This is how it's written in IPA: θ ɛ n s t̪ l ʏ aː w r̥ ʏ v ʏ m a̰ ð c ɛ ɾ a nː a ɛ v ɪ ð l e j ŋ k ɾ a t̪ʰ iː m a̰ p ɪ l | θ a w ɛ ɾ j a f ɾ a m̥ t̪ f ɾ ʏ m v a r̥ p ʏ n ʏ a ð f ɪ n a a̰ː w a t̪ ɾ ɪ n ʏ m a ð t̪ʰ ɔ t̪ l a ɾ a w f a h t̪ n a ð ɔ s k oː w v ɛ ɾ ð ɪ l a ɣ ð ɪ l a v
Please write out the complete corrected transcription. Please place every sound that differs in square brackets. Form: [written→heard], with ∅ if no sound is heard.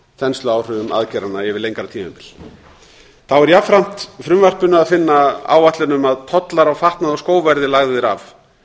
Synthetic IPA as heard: θ ɛ n s t̪ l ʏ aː w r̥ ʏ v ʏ m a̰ ð c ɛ ɾ a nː a ɛ v ɪ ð l e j ŋ k ɾ a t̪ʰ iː m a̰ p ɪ l | θ a w ɛ ɾ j a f ɾ a m̥ t̪ f ɾ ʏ m v a r̥ p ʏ n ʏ a ð f ɪ [n→nː] a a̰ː w a t̪ [ɾ→l] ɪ n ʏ m a ð t̪ʰ ɔ t̪ l a ɾ a w f a h t̪ n a ð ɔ s k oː w v ɛ ɾ ð ɪ l a ɣ ð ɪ [l→ɾ] a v